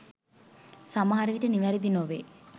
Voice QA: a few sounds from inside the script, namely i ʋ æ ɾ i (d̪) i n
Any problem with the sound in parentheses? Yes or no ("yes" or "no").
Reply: no